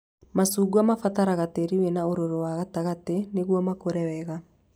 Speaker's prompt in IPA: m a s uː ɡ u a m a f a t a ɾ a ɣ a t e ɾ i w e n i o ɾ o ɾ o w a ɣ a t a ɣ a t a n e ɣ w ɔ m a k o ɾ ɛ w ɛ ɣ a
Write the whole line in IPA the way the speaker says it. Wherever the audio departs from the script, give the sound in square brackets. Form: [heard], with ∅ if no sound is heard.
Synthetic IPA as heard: m a s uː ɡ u a m a f a t a ɾ a ɣ a t e ɾ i w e n [a] o ɾ o ɾ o w a ɣ a t a ɣ a t [e] n e ɣ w ɔ m a k o ɾ ɛ w ɛ ɣ a